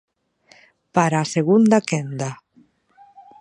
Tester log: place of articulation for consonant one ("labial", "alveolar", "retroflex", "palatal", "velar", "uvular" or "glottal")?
labial